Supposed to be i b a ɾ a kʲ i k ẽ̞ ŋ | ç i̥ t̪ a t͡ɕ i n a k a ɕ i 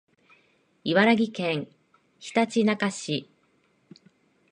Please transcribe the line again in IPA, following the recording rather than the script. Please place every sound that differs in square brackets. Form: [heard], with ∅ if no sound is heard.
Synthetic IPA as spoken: i [β] a ɾ a [ɡʲ] i k ẽ̞ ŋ | ç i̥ t̪ a t͡ɕ i n a k a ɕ i